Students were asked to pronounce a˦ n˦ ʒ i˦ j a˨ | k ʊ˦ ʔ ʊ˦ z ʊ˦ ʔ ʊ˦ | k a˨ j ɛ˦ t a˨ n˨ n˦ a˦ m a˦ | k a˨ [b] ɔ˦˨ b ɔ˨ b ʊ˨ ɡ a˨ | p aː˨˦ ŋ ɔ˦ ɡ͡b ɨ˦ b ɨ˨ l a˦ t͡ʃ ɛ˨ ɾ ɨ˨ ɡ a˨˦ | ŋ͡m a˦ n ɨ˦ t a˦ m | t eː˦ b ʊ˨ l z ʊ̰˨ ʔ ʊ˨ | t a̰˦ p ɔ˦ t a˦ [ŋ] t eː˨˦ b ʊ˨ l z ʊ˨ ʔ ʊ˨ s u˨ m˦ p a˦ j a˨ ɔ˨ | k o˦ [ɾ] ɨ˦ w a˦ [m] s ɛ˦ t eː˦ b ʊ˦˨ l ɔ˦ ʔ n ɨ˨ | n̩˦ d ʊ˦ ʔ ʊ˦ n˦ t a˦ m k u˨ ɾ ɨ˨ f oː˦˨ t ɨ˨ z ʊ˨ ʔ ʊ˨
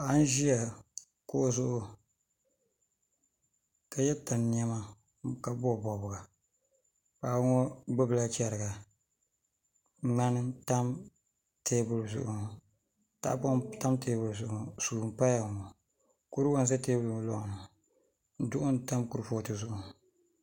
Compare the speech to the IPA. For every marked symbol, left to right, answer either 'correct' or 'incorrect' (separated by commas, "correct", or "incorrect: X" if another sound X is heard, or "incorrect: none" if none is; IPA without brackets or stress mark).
correct, incorrect: m, correct, incorrect: n